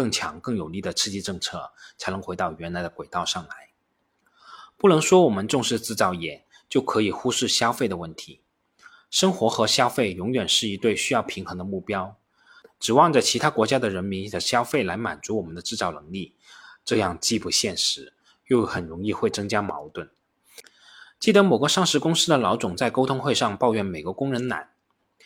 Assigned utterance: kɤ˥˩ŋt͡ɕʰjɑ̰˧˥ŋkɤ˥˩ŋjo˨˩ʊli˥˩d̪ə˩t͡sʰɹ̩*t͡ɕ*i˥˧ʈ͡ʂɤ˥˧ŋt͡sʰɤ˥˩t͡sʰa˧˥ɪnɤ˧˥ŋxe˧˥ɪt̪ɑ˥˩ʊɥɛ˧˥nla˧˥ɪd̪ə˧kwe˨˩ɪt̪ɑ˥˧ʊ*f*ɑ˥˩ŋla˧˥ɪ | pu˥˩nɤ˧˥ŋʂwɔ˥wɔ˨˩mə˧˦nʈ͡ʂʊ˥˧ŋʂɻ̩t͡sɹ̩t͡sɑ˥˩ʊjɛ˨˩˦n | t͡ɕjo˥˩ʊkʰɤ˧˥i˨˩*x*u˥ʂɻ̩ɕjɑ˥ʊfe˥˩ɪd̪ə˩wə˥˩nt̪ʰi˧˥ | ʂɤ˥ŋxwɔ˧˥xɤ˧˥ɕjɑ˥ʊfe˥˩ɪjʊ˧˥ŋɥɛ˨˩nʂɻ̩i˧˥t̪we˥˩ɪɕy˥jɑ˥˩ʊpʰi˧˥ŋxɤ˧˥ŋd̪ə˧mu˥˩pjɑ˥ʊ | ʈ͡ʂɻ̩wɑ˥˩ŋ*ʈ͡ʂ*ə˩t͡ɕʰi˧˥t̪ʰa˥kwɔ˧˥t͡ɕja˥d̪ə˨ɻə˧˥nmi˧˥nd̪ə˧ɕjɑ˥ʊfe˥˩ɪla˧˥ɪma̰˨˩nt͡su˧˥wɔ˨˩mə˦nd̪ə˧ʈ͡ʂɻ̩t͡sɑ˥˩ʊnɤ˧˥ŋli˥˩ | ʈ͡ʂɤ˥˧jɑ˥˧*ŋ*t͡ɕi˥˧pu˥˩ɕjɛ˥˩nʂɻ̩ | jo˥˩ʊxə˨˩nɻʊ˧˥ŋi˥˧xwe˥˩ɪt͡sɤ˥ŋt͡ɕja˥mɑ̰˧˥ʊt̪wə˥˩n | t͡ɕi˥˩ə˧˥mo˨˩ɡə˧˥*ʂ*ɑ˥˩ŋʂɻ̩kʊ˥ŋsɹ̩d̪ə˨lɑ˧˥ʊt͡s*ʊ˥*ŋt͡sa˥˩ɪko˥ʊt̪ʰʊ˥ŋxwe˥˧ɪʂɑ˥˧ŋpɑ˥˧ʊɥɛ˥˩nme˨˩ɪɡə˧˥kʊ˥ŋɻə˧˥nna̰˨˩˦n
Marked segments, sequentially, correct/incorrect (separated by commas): correct, incorrect, correct, correct, correct, correct, incorrect